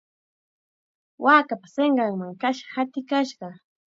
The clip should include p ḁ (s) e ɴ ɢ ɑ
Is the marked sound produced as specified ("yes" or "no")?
yes